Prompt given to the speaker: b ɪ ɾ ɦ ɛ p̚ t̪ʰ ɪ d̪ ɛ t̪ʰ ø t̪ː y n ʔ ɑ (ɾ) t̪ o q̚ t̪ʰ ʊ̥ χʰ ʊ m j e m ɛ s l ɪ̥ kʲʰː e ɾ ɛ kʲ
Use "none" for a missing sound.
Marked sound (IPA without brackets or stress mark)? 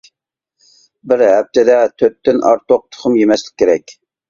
ɾ